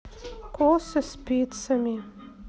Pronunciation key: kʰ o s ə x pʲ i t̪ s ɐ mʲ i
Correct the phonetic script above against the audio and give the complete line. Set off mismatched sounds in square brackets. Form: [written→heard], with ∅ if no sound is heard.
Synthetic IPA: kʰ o s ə [x→s] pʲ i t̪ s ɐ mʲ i